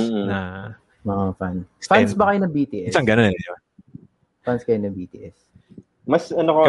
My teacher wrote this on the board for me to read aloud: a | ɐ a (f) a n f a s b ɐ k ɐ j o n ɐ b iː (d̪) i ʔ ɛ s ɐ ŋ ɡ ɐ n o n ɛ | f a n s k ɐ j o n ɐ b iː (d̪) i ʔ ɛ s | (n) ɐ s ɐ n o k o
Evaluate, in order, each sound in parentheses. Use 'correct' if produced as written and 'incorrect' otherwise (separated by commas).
correct, incorrect, incorrect, incorrect